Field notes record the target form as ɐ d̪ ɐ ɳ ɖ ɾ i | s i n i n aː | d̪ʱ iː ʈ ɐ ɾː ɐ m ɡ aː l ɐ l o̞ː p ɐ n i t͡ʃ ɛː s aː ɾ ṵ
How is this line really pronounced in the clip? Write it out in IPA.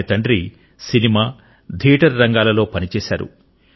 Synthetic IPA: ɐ t̪ ɐ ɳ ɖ ɾ i | s i n i m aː | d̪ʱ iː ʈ ɐ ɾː ɐ ŋ ɡ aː l ɐ l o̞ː p ɐ n i t͡ʃ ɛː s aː ɾ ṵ